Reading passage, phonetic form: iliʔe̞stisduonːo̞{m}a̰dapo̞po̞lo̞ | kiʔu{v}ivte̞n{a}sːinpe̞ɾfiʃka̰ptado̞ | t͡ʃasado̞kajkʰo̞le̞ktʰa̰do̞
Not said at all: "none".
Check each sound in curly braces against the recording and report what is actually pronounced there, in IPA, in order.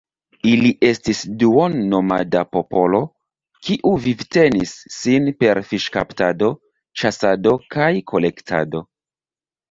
m, v, i

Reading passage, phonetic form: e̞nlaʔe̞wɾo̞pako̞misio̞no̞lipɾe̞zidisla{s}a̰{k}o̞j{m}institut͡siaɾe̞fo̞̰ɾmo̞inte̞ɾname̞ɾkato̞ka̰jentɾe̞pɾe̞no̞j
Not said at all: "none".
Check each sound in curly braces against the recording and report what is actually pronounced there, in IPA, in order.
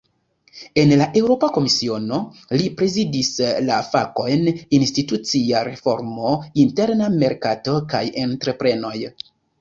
f, k, n

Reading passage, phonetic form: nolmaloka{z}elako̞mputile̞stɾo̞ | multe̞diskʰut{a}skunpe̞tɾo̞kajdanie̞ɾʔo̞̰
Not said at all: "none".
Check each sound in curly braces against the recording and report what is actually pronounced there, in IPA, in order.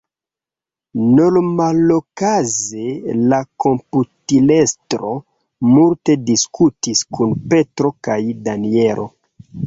z, i

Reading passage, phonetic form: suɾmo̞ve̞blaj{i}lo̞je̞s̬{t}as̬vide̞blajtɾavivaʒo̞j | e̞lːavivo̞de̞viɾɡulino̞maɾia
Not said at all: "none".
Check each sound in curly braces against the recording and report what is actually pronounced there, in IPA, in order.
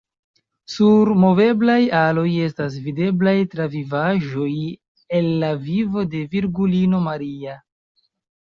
a, t

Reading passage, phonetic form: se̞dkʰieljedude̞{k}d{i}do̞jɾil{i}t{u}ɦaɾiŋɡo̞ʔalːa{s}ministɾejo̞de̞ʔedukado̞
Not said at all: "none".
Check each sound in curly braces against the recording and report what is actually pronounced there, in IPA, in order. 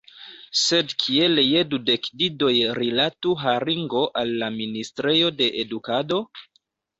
k, i, a, u, none

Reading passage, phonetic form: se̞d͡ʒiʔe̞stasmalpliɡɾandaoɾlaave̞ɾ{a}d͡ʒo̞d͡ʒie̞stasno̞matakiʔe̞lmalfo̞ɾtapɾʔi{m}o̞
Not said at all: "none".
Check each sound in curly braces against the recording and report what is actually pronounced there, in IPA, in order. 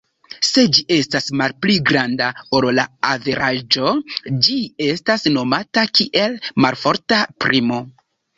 a, m

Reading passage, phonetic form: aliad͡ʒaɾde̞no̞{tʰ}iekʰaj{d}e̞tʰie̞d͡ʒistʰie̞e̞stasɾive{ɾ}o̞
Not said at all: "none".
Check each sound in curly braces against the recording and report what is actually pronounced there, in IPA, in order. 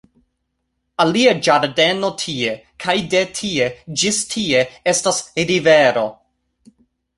tʰ, d, ɾ

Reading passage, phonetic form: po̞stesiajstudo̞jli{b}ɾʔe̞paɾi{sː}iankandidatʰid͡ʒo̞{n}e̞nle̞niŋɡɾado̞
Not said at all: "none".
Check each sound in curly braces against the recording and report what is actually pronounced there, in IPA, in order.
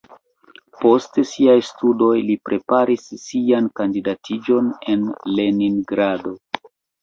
p, sː, n

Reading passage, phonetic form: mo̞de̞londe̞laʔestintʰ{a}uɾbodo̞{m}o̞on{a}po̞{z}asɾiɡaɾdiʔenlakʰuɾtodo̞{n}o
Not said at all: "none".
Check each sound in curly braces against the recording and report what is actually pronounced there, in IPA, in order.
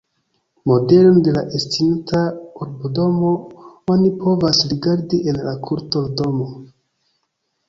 a, m, i, v, m

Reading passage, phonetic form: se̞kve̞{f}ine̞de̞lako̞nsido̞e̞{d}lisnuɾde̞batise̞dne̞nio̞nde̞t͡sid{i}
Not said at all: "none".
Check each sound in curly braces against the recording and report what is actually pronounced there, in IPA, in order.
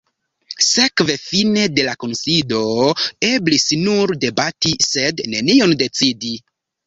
f, b, i

